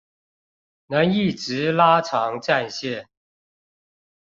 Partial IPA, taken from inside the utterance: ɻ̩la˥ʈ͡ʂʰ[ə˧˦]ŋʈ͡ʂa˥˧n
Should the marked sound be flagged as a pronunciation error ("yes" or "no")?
yes